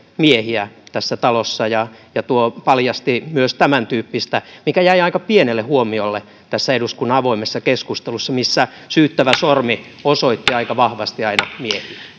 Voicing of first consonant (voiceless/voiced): voiced